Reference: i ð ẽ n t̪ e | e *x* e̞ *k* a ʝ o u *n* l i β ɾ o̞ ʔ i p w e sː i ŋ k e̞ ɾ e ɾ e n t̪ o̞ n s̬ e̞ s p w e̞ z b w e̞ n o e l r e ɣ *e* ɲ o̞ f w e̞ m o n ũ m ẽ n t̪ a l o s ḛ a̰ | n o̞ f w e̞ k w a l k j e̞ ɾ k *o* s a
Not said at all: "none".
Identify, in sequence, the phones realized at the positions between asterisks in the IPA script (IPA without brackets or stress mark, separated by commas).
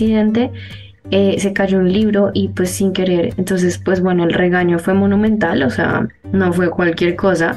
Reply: s, k, n, a, o